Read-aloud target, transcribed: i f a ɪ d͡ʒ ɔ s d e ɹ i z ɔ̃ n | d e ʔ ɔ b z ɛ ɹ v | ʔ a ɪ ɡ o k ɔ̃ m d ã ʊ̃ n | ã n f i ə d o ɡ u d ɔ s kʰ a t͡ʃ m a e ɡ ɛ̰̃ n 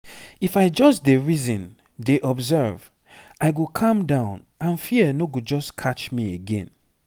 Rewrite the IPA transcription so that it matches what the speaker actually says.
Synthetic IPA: i f a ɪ d͡ʒ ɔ s d e ɹ i z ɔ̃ n | d e ʔ ɔ b z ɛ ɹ v | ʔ a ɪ ɡ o kʰ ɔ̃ m d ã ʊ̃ n | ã n f i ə n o ɡ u d͡ʒ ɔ s kʰ a t͡ʃ m i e ɡ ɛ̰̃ n